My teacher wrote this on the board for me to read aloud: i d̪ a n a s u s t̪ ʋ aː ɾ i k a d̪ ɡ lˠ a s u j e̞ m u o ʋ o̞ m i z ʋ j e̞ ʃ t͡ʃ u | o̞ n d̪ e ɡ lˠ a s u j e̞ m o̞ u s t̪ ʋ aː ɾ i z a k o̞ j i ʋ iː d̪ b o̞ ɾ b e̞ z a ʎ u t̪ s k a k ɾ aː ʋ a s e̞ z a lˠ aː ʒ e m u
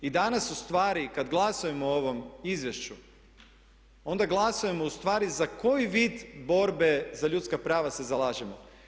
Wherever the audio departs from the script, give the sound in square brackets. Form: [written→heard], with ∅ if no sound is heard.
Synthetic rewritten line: i d̪ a n a s u s t̪ ʋ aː ɾ i k a d̪ ɡ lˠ a s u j e̞ m [u→o] o ʋ o̞ m i z ʋ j e̞ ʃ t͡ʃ u | o̞ n d̪ [e→a] ɡ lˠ a s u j e̞ m o̞ u s t̪ ʋ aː ɾ i z a k o̞ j i ʋ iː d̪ b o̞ ɾ b e̞ z a ʎ u t̪ s k a [k→p] ɾ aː ʋ a s e̞ z a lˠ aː ʒ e m [u→o]

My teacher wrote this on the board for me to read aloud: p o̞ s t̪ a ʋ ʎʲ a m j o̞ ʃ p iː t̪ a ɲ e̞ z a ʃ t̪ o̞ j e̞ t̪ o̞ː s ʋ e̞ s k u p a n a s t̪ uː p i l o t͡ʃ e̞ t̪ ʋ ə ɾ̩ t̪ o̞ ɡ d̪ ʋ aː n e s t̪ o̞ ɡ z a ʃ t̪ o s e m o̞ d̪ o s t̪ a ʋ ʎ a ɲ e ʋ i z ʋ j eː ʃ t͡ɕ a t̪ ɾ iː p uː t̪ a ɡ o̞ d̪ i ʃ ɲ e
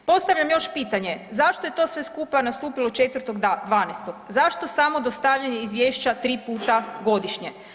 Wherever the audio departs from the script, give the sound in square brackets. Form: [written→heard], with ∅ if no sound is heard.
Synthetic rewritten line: p o̞ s t̪ a ʋ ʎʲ a m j o̞ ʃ p iː t̪ a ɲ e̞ z a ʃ t̪ o̞ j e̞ t̪ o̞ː s ʋ e̞ s k u p a n a s t̪ uː p i l o t͡ʃ e̞ t̪ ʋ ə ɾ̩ t̪ o̞ ɡ d̪ ʋ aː n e s t̪ o̞ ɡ z a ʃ t̪ o s [e→a] m o̞ d̪ o s t̪ a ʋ ʎ a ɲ e [ʋ→∅] i z ʋ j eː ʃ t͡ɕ a t̪ ɾ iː p uː t̪ a ɡ o̞ d̪ i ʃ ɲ e

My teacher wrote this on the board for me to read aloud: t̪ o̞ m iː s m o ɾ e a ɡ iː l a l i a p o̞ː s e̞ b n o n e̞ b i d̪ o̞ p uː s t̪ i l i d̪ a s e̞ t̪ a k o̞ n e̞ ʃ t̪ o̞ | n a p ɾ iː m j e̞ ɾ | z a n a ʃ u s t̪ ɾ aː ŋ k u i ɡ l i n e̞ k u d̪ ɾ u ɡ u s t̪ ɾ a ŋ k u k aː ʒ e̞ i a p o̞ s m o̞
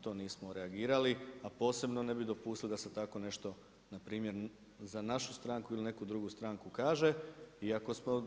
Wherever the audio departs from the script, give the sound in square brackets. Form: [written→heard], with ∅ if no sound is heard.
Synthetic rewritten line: t̪ o̞ [m→n] iː s m o ɾ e a ɡ iː [l→ɾ] a l i a p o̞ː s e̞ b n o n e̞ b i d̪ o̞ p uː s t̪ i l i d̪ a s e̞ t̪ a k o̞ n e̞ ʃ t̪ o̞ | n a p ɾ iː m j e̞ ɾ | z a n a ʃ u s t̪ ɾ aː ŋ k u i [ɡ→∅] l i n e̞ k u d̪ ɾ u ɡ u s t̪ ɾ a ŋ k u k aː ʒ e̞ i a [p→k] o̞ s m o̞

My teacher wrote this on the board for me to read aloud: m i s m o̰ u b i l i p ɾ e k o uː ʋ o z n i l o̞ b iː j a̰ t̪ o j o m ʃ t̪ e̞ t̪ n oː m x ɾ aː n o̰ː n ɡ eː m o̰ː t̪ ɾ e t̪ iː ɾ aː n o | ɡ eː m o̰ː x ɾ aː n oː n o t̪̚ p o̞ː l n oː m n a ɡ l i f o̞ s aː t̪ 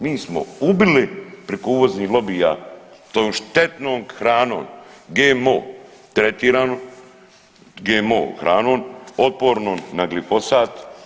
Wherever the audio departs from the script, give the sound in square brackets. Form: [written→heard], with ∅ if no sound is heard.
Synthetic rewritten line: m [i→iː] s m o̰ u b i l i p ɾ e k o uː ʋ o z n i l o̞ b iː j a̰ t̪ o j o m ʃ t̪ e̞ t̪ n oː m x ɾ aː n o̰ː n ɡ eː m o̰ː t̪ ɾ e t̪ iː ɾ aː n o | ɡ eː m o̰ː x ɾ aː n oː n o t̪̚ p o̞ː [l→ɾ] n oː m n a ɡ l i f o̞ s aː t̪

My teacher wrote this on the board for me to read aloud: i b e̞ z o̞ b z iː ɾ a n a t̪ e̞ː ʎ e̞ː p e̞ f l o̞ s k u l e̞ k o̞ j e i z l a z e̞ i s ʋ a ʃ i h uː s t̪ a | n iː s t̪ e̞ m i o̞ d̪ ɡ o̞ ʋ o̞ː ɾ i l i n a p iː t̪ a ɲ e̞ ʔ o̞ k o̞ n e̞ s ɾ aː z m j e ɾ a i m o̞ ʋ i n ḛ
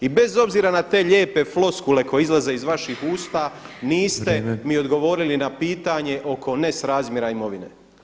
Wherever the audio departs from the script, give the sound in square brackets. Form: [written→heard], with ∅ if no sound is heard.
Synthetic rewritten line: i b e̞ z o̞ b z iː ɾ a n a t̪ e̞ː ʎ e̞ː p e̞ f l o̞ s k u l e̞ k o̞ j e i z l a z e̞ i [s→z] ʋ a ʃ i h uː s t̪ a | n iː s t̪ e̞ m i o̞ d̪ ɡ o̞ ʋ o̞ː ɾ i l i n a p iː t̪ a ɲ e̞ ʔ o̞ k o̞ n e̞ s ɾ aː z m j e ɾ a i m o̞ ʋ i n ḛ

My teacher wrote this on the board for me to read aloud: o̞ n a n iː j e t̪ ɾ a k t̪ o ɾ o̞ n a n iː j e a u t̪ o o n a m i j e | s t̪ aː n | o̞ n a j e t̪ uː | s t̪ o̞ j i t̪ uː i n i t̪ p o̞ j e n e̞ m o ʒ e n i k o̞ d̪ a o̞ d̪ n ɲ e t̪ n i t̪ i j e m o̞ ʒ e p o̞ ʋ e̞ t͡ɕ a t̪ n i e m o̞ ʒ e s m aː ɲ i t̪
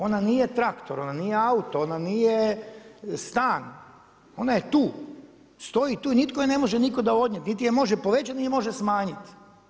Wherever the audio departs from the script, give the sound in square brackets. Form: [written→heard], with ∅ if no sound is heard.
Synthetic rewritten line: o̞ n a n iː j e t̪ ɾ a k t̪ o ɾ o̞ n a n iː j e a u t̪ o o n a [m→n] i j e | s t̪ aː n | o̞ n a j e t̪ uː | s t̪ o̞ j i t̪ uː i n i t̪ [p→k] o̞ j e n e̞ m o ʒ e n i k o̞ d̪ a o̞ d̪ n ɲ e t̪ n i t̪ i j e m o̞ ʒ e p o̞ ʋ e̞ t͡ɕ a t̪ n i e m o̞ ʒ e s m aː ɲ i t̪

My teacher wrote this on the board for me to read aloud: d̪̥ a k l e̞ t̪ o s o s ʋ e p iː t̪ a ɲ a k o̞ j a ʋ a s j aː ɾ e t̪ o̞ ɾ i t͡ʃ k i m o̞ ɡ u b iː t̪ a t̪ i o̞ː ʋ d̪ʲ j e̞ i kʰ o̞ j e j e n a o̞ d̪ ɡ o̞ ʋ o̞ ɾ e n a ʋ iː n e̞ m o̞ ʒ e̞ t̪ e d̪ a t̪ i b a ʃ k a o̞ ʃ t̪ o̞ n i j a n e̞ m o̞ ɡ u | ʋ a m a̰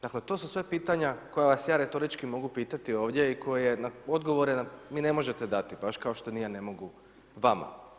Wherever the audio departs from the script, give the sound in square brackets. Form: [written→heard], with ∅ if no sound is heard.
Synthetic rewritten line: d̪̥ a k l e̞ t̪ o s [o→u] s ʋ e p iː t̪ a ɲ a k o̞ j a ʋ a s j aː ɾ e t̪ o̞ ɾ i t͡ʃ k i m o̞ ɡ u [b→p] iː t̪ a t̪ i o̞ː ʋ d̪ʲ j e̞ i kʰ o̞ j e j e n a o̞ d̪ ɡ o̞ ʋ o̞ ɾ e n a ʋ iː n e̞ m o̞ ʒ e̞ t̪ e d̪ a t̪ i b a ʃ k a o̞ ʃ t̪ o̞ n i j a n e̞ m o̞ ɡ u | ʋ a m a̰

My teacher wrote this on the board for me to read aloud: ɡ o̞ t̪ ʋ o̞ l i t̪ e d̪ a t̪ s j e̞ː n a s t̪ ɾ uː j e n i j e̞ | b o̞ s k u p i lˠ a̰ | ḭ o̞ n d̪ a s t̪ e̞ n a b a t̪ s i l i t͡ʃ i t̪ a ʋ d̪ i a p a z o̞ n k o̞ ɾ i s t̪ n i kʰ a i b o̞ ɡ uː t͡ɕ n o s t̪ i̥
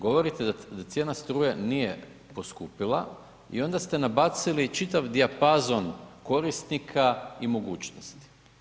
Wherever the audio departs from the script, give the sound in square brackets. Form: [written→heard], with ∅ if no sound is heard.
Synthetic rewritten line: ɡ o̞ [t̪→∅] ʋ o̞ [l→ɾ] i t̪ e d̪ a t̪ s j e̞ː n a s t̪ ɾ uː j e n i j e̞ | [b→p] o̞ s k u p i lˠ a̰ | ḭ o̞ n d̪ a s t̪ e̞ n a b a t̪ s i l i t͡ʃ i t̪ a ʋ d̪ i a p a z o̞ n k o̞ ɾ i s t̪ n i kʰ a i [b→m] o̞ ɡ uː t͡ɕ n o s t̪ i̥

